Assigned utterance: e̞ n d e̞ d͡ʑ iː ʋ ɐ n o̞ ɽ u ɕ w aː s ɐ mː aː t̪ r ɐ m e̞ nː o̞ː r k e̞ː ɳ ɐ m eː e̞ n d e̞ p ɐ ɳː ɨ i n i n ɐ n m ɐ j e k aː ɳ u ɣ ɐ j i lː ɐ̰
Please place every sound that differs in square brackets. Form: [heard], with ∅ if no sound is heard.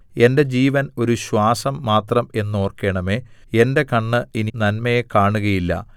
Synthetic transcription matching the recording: e̞ n d e̞ d͡ʑ iː ʋ ɐ n o̞ [ɾ] u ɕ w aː s ɐ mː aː t̪ r ɐ m e̞ nː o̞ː r k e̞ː ɳ ɐ m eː e̞ n d e̞ [k] ɐ ɳː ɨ i n i n ɐ n m ɐ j e k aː ɳ u ɣ ɐ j i lː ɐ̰